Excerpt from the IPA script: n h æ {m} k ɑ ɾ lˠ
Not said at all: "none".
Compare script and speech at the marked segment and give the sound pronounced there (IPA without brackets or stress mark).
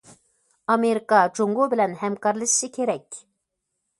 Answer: m